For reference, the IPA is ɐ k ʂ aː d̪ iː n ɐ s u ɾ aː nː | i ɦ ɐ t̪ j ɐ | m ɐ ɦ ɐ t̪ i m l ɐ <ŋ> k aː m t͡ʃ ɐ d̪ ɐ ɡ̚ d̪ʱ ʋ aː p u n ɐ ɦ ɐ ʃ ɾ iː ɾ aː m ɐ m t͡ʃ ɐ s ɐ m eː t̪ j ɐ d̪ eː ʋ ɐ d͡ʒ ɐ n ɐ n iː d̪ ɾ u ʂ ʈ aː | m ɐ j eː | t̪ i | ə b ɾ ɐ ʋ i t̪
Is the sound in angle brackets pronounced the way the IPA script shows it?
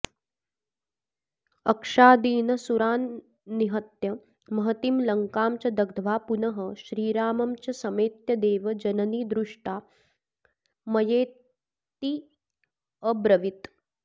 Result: yes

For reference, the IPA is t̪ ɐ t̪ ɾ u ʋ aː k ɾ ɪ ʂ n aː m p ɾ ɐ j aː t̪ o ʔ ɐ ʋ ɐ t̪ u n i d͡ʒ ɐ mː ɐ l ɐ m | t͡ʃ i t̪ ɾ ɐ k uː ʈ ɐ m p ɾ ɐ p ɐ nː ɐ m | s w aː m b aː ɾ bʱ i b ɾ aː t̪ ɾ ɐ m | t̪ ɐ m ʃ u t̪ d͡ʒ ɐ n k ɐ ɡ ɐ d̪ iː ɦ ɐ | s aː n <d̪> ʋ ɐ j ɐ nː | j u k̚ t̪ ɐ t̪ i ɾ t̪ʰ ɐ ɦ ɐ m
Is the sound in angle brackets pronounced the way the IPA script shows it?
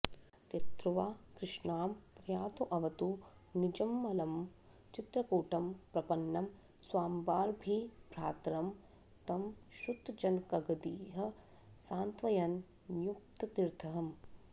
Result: no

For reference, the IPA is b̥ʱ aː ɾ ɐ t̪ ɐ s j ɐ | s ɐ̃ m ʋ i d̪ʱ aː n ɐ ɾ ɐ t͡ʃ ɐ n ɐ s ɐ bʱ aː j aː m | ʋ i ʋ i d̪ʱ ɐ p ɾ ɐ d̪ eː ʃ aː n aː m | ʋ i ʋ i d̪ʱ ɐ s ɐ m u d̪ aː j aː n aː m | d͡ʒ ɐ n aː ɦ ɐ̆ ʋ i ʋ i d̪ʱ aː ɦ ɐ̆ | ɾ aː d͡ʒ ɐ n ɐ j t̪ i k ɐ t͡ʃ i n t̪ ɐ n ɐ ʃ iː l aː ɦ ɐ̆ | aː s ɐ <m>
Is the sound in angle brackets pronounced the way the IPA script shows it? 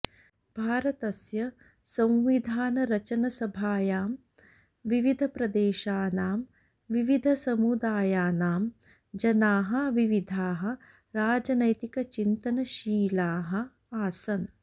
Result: no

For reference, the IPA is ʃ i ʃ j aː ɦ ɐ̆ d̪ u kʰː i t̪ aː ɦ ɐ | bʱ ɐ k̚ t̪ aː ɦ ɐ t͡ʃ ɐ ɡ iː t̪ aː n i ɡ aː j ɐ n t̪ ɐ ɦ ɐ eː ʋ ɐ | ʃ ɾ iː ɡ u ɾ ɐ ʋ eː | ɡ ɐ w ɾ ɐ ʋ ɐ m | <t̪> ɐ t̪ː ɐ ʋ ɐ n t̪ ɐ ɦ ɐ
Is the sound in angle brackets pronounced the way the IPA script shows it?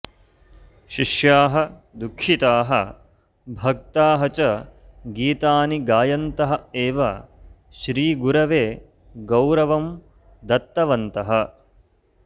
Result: no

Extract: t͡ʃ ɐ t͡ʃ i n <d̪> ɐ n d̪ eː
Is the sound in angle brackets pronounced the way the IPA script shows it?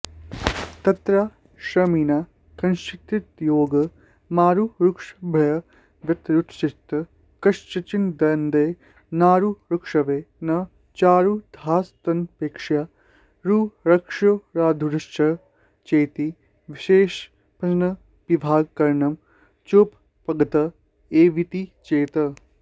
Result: yes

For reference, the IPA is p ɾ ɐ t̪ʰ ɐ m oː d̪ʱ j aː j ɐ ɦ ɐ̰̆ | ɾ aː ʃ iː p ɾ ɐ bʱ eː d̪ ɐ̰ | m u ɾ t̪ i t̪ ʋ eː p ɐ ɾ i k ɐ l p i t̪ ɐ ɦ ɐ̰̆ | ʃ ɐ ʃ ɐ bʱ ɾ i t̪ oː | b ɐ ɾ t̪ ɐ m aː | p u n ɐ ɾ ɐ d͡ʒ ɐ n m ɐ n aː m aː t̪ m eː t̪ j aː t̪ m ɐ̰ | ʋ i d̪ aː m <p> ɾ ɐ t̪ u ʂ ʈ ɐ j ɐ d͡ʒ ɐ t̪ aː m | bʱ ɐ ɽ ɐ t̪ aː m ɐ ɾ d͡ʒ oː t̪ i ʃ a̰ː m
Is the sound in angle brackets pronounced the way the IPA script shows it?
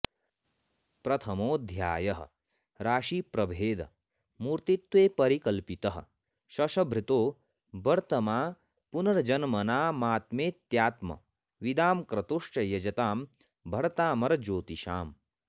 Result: no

